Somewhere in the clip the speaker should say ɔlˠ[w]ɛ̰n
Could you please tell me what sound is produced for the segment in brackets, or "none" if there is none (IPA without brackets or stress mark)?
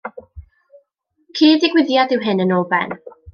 b